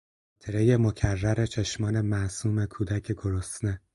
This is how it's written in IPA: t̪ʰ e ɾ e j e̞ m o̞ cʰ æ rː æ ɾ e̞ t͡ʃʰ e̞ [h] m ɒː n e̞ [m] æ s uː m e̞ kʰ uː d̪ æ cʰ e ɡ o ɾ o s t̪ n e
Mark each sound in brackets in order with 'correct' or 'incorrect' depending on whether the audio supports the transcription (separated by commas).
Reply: incorrect, correct